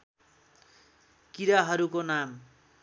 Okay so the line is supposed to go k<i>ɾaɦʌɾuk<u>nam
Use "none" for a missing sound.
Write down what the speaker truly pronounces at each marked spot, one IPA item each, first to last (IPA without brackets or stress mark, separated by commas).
i, o